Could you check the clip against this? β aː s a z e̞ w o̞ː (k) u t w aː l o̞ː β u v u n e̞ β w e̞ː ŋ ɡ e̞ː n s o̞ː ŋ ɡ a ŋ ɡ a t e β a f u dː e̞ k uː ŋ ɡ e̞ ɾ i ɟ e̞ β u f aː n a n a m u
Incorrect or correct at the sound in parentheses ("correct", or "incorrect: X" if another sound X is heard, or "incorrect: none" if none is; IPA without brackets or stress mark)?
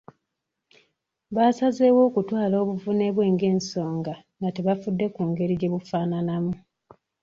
correct